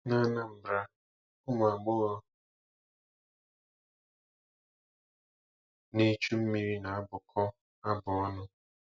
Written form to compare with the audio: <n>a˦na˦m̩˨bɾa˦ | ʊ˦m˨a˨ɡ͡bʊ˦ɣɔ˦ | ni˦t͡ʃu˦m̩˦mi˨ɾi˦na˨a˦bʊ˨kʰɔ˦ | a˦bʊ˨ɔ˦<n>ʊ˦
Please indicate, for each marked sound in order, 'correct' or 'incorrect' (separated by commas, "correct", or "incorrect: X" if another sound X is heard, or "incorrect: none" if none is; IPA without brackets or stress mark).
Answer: correct, correct